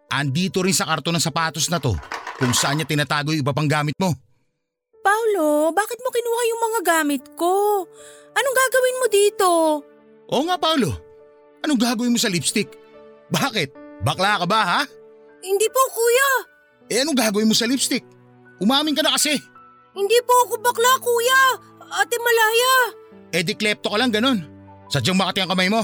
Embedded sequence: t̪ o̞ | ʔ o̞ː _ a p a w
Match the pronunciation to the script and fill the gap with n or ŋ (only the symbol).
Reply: ŋ